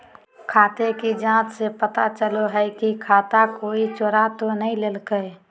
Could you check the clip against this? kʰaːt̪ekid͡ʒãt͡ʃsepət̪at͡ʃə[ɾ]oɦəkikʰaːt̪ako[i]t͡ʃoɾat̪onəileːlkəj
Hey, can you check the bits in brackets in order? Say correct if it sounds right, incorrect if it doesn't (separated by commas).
incorrect, correct